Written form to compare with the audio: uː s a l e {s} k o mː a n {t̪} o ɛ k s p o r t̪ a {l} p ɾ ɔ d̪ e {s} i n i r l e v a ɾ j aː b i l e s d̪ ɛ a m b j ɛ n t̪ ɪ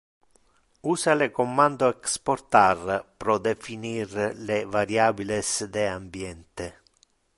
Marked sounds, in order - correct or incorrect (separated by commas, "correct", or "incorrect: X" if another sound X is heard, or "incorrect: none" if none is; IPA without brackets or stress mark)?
incorrect: none, incorrect: d̪, incorrect: r, incorrect: f